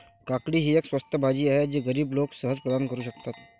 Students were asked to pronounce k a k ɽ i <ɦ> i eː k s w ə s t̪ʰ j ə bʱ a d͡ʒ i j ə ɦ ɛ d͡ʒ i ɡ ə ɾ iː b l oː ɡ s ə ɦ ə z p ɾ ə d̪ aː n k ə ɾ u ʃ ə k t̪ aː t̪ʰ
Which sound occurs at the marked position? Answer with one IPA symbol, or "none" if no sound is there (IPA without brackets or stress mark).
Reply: ɦ